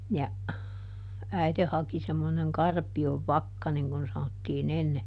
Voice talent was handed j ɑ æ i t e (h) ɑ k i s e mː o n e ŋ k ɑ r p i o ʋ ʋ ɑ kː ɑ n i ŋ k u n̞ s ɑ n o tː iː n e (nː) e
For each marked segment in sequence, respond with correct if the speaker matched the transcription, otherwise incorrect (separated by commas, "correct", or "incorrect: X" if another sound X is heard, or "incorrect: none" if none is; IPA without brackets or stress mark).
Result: correct, correct